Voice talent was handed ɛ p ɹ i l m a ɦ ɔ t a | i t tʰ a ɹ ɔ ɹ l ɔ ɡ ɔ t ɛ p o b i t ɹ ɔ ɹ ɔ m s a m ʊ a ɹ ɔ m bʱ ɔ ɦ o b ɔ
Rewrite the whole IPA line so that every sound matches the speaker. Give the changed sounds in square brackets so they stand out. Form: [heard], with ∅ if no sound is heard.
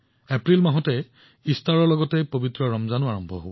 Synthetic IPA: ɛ p ɹ i l m a ɦ ɔ t [ɛ] | i [s] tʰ a ɹ ɔ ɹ l ɔ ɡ ɔ t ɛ p o b i t ɹ ɔ ɹ ɔ m [z] a [n] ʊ a ɹ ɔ m bʱ ɔ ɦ o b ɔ